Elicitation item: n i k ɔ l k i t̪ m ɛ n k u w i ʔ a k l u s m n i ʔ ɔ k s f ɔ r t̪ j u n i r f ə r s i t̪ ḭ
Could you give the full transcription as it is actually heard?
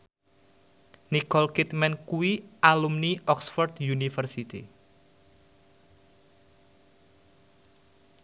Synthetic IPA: n i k ɔ l k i t̪ m ɛ n k u w i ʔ a l u m n i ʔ ɔ k s f ɔ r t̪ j u n i f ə r s i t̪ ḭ